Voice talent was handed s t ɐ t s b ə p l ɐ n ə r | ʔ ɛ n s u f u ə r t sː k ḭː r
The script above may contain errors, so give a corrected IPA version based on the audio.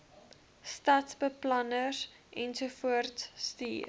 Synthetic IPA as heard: s t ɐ t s b ə p l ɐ n ə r | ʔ ɛ n s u f u ə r t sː t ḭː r